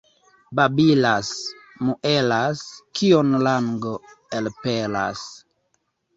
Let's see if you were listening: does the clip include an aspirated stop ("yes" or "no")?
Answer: no